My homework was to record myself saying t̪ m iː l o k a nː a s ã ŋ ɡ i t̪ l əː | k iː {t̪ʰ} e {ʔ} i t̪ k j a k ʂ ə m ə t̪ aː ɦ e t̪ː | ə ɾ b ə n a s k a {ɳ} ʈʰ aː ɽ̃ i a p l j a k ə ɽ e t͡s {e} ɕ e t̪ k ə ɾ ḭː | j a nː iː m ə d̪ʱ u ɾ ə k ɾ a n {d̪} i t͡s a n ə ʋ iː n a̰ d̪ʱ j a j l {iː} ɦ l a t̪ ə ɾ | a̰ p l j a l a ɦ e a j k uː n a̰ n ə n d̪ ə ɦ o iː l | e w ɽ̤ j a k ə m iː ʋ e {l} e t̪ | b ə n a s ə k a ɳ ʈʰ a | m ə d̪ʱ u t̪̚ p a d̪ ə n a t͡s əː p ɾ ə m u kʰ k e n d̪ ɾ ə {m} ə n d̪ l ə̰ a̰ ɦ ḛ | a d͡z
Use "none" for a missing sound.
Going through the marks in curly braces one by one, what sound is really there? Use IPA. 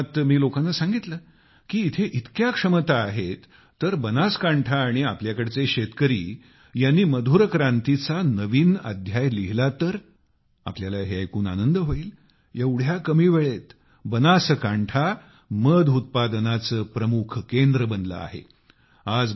t̪ʰ, ʔ, ɳ, e, t̪, i, ɭ, b

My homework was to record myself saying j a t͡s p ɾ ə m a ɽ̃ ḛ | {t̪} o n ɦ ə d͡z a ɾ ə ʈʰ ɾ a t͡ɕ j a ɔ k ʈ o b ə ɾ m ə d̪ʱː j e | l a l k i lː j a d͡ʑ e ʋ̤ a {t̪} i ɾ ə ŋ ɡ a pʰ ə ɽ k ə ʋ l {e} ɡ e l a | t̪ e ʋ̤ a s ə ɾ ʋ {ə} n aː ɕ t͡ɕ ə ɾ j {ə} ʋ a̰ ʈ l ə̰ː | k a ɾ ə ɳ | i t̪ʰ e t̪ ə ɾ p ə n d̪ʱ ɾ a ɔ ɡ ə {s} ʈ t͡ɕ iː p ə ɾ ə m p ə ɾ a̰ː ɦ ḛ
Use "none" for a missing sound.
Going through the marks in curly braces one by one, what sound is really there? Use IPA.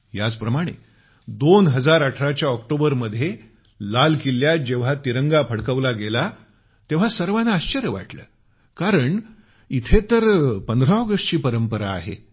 d̪, t̪, a, a, ə, ʂ

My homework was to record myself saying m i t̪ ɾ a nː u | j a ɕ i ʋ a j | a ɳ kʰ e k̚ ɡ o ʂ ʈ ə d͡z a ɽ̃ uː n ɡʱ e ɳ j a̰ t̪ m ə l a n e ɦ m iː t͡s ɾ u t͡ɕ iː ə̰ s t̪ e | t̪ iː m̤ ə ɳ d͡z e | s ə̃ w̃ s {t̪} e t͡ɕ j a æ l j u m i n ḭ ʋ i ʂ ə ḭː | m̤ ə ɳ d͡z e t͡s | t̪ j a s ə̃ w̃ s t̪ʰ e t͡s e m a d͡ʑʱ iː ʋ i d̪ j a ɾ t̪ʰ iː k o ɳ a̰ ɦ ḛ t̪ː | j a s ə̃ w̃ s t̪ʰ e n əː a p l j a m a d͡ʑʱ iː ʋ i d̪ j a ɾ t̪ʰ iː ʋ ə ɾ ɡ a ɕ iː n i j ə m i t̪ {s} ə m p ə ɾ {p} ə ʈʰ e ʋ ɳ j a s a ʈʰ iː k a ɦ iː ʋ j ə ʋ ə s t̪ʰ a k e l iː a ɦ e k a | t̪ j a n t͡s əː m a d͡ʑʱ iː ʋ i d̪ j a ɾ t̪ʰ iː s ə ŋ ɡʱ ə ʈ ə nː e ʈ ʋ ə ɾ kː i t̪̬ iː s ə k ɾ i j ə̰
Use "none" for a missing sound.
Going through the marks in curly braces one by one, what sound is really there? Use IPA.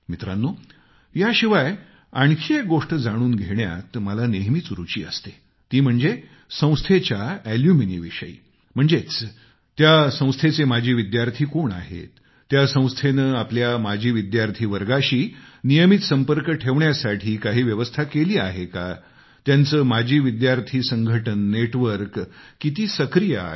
t̪ʰ, s, k

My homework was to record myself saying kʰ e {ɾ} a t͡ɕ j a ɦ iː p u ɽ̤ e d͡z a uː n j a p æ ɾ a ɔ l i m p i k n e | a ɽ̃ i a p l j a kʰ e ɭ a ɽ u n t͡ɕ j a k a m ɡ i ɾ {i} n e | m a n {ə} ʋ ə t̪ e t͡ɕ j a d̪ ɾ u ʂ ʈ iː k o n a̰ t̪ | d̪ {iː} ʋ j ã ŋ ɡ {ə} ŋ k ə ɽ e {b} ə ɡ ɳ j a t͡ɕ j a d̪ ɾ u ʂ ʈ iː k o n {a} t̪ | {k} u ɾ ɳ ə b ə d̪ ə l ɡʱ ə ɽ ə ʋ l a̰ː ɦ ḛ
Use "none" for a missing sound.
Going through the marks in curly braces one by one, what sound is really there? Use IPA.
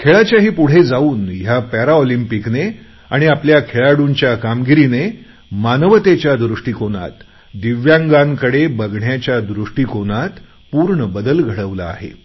ɭ, i, ə, i, a, b, a, p

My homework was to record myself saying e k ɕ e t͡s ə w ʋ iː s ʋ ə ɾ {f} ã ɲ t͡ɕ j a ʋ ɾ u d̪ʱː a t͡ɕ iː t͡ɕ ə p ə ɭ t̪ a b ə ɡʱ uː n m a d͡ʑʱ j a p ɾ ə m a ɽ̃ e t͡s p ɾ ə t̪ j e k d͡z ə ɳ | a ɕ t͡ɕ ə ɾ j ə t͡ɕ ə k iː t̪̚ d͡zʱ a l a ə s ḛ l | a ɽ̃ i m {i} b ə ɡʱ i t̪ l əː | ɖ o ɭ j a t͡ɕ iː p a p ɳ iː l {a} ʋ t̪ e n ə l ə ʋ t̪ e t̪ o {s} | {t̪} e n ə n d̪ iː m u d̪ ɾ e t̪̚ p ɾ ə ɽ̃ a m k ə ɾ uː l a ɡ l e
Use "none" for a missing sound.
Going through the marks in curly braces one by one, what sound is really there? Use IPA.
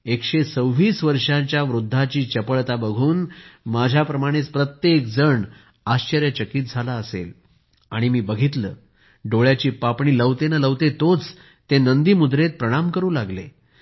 ʂ, iː, ə, t͡s, t̪

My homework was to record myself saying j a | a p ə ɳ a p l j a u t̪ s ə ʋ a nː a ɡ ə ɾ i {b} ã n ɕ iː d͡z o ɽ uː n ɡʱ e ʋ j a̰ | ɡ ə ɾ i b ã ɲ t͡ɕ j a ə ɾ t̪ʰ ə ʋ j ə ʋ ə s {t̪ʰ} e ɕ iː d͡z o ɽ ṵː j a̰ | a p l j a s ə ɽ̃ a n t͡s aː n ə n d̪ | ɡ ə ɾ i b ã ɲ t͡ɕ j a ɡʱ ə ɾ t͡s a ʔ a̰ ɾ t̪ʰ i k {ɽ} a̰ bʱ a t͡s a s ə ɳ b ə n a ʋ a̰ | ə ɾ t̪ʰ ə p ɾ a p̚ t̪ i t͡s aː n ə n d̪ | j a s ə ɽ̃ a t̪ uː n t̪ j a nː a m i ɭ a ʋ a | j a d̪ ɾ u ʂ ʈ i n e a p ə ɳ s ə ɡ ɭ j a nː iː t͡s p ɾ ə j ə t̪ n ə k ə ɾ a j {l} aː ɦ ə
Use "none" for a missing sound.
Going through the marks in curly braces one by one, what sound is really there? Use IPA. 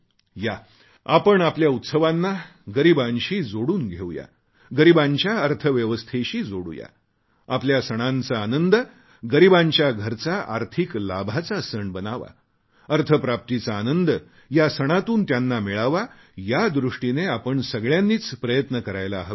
b, t̪ʰ, l, l

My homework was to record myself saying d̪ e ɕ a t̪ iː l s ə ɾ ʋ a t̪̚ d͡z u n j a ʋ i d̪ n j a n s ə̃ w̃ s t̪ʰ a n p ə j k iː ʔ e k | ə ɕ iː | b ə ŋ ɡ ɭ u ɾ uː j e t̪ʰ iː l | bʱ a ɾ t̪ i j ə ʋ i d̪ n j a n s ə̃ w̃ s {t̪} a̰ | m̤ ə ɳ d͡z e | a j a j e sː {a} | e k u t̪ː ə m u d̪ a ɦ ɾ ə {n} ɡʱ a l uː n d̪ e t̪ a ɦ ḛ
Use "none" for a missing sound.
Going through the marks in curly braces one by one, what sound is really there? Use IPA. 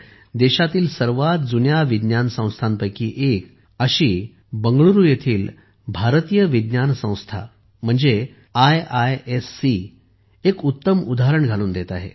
t̪ʰ, i, ɳ

